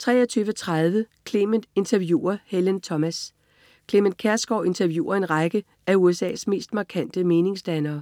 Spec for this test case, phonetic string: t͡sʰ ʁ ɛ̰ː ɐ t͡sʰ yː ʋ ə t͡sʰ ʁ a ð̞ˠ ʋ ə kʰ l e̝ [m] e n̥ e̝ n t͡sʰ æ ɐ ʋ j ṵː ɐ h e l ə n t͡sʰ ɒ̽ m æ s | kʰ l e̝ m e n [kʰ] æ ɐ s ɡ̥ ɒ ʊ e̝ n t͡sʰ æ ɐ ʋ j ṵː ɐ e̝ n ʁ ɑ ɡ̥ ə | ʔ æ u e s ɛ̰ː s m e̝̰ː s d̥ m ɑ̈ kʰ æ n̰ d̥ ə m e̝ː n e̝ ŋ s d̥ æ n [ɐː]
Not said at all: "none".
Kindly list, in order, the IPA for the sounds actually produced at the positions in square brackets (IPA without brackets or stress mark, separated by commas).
m, kʰ, ɐː